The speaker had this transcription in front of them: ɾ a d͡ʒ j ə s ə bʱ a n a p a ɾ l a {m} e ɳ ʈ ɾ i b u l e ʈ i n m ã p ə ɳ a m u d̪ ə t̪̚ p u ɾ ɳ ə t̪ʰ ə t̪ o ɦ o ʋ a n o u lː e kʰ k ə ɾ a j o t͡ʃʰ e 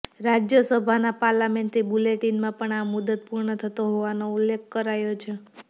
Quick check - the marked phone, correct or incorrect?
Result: correct